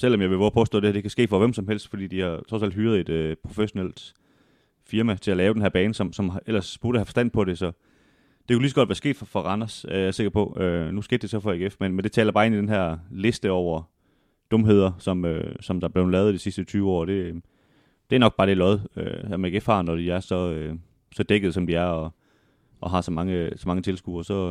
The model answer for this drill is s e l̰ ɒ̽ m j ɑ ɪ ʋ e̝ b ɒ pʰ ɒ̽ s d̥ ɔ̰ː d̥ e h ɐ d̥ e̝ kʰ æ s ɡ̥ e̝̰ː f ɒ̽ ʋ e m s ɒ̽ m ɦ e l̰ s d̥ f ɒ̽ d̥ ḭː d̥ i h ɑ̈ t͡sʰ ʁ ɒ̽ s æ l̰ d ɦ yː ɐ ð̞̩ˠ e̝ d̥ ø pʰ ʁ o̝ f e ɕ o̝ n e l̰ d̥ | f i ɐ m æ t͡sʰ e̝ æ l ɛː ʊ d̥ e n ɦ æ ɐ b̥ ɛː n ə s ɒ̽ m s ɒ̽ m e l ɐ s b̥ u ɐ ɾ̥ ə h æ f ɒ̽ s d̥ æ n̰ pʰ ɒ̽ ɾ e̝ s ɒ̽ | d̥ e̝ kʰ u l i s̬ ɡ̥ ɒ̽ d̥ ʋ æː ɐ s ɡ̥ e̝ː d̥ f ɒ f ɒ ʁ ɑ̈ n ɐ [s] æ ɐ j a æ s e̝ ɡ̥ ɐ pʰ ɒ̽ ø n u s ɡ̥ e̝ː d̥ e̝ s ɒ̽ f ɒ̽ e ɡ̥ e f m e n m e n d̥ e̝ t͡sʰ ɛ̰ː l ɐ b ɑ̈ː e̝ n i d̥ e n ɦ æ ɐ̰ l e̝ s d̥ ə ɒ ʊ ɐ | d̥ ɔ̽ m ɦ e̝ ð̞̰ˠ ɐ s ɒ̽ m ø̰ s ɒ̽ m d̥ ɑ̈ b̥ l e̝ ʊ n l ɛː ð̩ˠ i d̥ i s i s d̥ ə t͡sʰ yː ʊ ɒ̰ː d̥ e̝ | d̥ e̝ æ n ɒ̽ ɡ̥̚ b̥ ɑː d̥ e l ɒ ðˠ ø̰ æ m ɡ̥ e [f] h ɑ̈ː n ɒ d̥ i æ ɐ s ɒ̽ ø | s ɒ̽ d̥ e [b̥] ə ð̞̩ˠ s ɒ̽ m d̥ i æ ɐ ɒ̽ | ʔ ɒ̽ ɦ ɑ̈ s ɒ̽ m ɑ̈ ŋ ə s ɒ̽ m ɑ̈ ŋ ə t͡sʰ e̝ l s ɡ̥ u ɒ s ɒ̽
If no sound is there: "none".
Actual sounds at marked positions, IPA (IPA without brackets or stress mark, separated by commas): s, f, ɡ̥